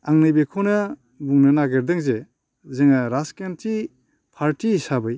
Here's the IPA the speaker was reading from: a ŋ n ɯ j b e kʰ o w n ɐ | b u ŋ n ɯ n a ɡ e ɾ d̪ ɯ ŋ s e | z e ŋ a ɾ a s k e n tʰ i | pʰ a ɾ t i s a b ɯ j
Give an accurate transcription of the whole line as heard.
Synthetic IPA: a ŋ n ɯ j b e kʰ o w n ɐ | b u ŋ n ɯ n a ɡ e ɾ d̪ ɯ ŋ z e | z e ŋ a ɾ a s k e n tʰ i | pʰ a ɾ t i s a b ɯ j